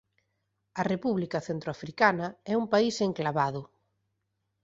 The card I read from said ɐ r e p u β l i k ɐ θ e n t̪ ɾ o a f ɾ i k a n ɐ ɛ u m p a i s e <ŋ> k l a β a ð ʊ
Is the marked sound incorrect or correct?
correct